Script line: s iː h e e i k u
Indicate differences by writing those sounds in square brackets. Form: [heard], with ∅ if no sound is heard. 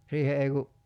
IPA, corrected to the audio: s iː h e e i k u